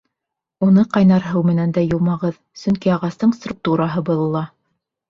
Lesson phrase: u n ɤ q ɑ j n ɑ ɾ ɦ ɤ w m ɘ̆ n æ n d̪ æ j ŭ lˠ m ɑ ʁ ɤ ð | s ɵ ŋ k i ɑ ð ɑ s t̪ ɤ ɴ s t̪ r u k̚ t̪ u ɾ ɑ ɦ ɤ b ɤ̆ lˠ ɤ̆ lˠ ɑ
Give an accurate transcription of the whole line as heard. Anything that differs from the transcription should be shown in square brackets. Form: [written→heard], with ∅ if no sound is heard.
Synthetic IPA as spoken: u n ɤ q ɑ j n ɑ ɾ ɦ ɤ w m ɘ̆ n æ n d̪ æ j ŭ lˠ m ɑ ʁ ɤ ð | s ɵ ŋ k i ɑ [ð→ʁ] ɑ s t̪ ɤ ɴ s t̪ r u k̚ t̪ u ɾ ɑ ɦ ɤ b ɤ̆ lˠ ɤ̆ lˠ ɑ